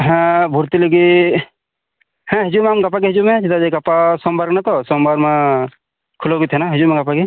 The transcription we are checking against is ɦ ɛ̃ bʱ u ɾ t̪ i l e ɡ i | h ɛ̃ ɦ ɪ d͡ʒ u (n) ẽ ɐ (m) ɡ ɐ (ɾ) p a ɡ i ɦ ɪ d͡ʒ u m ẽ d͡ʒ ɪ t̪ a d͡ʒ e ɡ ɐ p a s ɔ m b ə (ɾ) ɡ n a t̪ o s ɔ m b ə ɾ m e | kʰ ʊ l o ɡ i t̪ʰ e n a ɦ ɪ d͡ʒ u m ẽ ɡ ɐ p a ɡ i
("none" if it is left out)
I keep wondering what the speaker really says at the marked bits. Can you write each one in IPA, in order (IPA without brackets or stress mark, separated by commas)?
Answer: m, m, none, ɾ